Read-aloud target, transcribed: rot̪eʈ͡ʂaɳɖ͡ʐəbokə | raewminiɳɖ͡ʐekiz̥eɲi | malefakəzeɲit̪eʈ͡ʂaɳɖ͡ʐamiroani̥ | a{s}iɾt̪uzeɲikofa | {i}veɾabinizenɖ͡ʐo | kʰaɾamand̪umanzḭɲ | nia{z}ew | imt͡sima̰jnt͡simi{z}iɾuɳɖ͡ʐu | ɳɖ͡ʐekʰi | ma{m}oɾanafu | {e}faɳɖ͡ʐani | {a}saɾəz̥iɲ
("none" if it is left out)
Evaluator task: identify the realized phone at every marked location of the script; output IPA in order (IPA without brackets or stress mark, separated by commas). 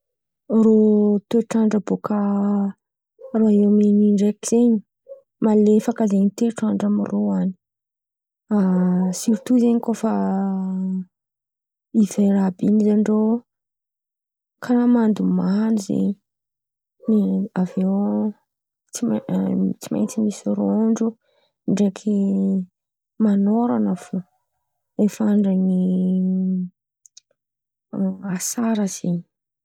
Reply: s, i, v, s, n, e, a